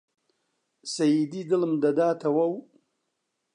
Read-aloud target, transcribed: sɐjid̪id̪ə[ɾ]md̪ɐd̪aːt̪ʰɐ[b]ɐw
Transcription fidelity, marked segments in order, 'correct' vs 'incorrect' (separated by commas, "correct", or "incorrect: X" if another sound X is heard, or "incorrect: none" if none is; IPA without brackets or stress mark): incorrect: l, incorrect: w